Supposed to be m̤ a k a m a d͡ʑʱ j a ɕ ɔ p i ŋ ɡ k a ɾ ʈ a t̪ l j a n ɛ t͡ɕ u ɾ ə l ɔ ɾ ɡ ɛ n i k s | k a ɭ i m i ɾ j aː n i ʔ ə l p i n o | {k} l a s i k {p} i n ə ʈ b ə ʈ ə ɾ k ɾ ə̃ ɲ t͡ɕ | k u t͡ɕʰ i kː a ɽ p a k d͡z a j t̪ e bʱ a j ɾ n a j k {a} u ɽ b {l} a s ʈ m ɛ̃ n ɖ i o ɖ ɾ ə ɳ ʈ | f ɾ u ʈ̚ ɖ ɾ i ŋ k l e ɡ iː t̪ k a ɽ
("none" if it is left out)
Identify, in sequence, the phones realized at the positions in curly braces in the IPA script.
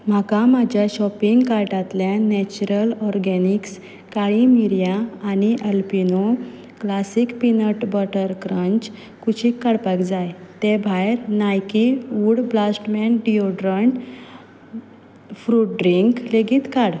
k, p, i, l

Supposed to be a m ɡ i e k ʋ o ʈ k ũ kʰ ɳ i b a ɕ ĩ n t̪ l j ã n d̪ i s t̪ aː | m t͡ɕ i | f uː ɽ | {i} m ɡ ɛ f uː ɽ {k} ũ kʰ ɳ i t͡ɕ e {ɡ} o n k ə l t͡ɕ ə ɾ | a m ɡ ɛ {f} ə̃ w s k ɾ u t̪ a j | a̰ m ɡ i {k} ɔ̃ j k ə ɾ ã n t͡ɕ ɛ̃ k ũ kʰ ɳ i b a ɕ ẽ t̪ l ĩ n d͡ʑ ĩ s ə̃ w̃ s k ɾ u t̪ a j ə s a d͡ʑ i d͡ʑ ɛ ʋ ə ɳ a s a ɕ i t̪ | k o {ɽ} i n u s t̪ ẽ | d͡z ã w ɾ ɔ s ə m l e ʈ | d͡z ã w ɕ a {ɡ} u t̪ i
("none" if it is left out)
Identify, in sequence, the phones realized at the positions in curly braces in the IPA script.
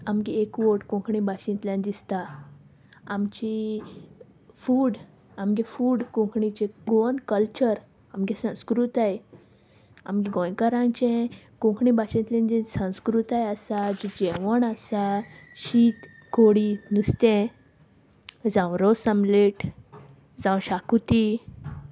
a, k, ɡ, s, ɡ, ɽ, k

